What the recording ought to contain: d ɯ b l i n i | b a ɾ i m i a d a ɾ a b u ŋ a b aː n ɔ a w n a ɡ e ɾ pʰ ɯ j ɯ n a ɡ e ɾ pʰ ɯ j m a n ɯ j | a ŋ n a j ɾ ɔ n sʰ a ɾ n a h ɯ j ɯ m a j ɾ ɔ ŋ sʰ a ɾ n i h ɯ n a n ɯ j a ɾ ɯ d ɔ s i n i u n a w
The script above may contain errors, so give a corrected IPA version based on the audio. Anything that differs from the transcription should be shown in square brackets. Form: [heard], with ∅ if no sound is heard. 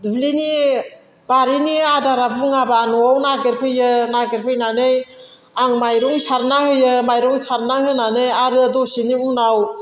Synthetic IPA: d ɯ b l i n i | b a ɾ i [n] i a d a ɾ a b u ŋ a b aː n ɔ a w n a ɡ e ɾ pʰ ɯ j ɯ n a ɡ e ɾ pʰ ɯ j [n] a n ɯ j | a ŋ [m] a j ɾ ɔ [ŋ] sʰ a ɾ n a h ɯ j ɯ m a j ɾ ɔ ŋ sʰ a ɾ n [a] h ɯ n a n ɯ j a ɾ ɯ d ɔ s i n i u n a w